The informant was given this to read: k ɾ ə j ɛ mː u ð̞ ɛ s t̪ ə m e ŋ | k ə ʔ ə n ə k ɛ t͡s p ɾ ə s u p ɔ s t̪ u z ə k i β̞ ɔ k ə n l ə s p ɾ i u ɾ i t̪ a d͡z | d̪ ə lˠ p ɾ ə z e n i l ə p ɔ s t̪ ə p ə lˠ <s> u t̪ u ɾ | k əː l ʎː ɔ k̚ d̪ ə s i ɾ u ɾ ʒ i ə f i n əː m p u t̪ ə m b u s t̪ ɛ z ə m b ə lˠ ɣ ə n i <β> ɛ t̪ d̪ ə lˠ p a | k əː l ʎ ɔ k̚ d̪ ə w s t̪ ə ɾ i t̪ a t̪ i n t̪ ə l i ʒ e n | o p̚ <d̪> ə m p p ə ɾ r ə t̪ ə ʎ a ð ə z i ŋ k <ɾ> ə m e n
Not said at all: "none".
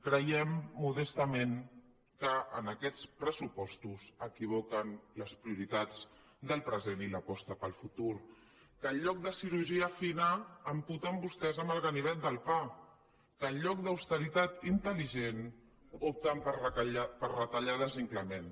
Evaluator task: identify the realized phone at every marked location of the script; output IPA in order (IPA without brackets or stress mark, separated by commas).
f, β, t̪, l